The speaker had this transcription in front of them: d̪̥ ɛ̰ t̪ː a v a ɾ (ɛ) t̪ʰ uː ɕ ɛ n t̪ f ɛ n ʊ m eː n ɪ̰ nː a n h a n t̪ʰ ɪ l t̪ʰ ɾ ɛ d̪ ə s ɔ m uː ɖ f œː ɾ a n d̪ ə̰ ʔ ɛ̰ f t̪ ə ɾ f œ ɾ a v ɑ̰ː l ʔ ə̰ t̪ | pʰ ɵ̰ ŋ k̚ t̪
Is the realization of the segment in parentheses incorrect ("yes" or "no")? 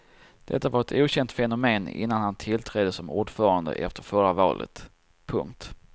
no